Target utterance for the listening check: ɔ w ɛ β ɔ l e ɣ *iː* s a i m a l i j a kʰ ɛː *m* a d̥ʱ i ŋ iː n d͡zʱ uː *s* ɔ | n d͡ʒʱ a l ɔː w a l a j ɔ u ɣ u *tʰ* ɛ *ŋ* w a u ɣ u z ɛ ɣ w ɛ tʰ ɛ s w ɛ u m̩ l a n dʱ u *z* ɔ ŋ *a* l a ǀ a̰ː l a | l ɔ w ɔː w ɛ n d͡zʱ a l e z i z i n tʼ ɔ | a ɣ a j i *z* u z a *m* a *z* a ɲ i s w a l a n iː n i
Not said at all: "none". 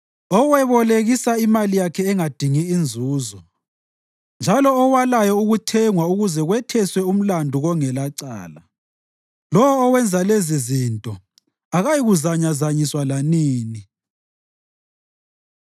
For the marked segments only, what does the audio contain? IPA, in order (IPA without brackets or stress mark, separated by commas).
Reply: i, ŋ, z, tʰ, ŋ, ɣ, ɛ, ɣ, ɲ, z